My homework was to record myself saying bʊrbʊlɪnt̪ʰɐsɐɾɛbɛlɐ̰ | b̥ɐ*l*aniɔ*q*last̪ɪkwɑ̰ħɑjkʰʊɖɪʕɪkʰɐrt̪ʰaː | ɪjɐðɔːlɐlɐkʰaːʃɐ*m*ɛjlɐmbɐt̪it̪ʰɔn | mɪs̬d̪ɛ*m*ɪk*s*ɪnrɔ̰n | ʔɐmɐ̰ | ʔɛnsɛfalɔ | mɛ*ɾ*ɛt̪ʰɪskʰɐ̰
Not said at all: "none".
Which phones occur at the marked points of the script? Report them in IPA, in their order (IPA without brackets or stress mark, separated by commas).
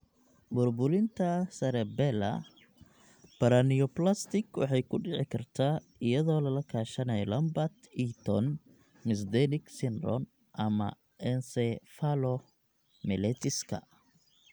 ɾ, p, n, n, s, l